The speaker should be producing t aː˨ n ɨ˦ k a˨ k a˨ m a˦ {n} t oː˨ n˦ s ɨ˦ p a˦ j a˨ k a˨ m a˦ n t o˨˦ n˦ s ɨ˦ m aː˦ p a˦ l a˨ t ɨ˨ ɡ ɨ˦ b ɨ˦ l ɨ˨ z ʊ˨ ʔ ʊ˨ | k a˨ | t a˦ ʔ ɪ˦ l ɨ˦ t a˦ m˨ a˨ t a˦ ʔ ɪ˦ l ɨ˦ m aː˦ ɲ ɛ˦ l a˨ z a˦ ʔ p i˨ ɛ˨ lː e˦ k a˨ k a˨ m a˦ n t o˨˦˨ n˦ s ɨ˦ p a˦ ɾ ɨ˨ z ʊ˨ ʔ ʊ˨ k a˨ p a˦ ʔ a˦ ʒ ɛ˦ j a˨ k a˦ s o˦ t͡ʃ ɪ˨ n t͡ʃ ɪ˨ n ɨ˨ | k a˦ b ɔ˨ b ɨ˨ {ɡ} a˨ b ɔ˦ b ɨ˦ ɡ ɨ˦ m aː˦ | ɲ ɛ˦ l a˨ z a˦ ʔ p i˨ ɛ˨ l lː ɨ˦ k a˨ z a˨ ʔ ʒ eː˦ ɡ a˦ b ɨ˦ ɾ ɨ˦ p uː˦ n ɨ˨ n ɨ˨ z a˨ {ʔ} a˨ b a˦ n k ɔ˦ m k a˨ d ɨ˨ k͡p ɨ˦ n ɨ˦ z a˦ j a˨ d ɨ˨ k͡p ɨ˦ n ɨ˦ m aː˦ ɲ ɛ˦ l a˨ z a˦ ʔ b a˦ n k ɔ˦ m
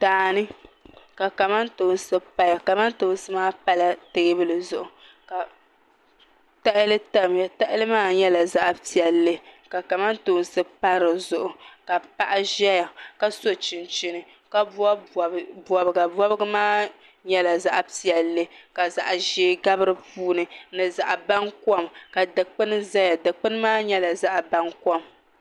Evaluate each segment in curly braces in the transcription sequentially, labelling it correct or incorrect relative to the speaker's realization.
correct, correct, correct

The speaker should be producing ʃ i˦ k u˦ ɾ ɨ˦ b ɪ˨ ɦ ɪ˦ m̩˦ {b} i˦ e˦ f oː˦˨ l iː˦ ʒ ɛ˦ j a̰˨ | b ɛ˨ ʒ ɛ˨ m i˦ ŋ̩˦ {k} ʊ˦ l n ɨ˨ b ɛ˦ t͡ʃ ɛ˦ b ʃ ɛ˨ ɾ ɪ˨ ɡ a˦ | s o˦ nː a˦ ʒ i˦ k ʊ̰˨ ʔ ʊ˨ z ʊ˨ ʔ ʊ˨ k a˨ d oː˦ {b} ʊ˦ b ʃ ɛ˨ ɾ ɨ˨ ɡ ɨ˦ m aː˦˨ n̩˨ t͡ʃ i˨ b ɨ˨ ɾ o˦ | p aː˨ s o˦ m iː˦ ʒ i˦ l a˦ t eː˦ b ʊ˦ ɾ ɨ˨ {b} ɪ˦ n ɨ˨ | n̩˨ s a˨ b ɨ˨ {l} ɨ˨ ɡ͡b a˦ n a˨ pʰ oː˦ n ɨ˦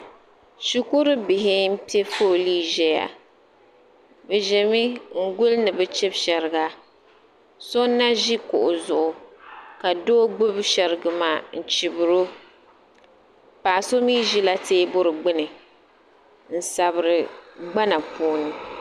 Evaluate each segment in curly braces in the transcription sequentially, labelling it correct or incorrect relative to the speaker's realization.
incorrect: p, incorrect: ɡ, incorrect: ɡ͡b, incorrect: ɡ͡b, incorrect: ɾ

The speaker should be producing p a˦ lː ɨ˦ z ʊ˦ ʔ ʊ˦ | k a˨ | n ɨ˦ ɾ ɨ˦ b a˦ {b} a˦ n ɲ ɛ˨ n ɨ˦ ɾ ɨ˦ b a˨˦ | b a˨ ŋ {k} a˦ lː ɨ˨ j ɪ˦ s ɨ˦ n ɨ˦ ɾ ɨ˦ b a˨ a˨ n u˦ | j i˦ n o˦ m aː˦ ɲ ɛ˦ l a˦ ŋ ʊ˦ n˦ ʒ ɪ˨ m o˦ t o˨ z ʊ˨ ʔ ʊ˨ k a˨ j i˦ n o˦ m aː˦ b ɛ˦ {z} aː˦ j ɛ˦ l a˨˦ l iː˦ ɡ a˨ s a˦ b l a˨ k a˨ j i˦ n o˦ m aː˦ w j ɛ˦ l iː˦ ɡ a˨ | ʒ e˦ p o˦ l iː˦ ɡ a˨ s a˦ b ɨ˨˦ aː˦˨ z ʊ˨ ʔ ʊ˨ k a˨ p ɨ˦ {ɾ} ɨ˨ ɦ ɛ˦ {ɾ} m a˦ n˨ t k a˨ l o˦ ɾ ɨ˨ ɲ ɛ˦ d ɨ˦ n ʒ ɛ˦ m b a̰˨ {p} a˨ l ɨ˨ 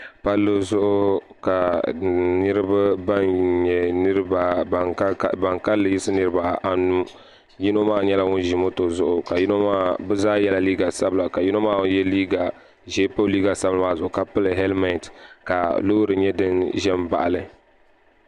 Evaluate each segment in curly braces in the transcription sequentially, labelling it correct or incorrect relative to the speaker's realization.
correct, correct, correct, incorrect: l, incorrect: l, incorrect: ʔ

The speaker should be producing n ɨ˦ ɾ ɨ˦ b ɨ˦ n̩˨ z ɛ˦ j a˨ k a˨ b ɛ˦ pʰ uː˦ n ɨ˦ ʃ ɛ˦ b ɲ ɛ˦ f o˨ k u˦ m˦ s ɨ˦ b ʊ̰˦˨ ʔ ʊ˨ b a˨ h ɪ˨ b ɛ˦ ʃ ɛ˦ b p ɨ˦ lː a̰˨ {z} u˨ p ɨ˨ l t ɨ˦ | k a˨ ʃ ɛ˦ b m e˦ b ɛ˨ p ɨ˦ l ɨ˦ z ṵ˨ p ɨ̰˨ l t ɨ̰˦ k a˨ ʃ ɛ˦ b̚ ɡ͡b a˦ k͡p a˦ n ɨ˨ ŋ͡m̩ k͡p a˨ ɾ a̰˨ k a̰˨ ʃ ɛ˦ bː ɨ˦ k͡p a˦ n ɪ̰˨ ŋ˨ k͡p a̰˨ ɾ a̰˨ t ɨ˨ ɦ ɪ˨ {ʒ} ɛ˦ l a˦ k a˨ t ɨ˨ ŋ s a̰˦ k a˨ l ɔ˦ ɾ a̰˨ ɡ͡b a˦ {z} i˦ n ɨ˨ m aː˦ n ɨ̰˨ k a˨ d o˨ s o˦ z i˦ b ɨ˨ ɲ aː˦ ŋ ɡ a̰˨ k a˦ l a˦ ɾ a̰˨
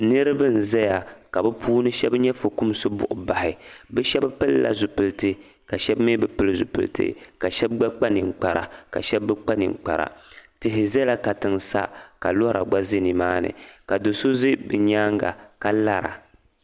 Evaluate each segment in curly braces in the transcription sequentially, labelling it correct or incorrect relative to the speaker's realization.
correct, incorrect: z, correct

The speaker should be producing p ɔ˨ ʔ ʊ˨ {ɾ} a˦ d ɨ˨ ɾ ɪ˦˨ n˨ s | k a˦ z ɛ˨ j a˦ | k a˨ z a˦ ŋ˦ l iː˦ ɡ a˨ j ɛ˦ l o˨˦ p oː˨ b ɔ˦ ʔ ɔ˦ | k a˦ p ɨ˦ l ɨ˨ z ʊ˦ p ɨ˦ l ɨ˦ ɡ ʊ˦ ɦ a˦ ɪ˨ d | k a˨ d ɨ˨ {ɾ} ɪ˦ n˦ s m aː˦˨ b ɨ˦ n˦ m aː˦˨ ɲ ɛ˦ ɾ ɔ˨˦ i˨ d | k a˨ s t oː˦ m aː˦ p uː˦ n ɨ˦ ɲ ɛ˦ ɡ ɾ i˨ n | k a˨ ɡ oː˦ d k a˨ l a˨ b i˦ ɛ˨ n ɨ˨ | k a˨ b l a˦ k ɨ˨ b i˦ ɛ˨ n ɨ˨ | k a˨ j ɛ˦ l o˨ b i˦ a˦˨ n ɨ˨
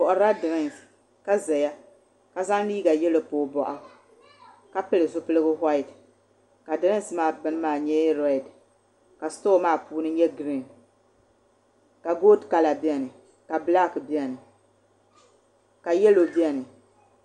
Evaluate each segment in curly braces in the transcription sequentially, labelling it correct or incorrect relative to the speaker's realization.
correct, correct

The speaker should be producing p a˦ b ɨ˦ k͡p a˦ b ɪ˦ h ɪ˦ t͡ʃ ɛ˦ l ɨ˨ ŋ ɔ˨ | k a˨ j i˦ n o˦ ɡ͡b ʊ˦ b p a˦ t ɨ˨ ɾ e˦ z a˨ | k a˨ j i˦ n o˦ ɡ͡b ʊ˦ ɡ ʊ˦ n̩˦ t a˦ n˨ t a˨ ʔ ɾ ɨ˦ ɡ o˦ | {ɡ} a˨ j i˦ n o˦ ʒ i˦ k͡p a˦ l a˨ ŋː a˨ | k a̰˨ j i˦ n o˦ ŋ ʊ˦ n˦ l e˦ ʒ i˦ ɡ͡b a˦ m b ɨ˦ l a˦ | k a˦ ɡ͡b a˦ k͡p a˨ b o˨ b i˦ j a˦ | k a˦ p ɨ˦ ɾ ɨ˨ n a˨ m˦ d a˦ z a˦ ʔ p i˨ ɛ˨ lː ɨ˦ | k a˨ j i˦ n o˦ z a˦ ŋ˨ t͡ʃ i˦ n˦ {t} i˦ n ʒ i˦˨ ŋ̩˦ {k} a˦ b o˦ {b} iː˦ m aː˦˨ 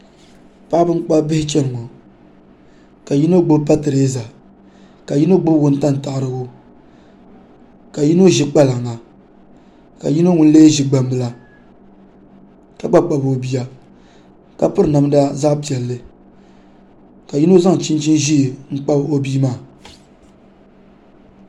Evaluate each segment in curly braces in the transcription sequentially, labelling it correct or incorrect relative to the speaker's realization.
incorrect: k, incorrect: t͡ʃ, incorrect: k͡p, correct

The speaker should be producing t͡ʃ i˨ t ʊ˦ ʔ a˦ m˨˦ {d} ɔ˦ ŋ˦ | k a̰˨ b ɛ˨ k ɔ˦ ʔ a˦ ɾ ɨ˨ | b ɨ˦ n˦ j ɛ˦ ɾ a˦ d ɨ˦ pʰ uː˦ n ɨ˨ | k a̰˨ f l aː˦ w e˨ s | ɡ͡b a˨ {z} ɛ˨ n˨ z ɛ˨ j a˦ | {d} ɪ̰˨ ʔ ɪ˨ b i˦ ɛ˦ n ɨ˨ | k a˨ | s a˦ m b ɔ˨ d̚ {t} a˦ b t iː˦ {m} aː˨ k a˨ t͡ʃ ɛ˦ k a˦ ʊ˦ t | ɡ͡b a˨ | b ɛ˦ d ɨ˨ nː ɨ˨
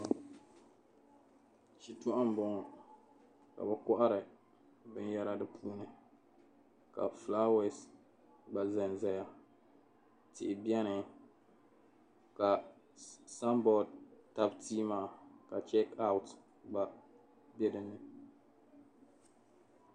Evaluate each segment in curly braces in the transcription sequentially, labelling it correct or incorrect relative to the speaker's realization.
incorrect: b, correct, incorrect: t, correct, correct

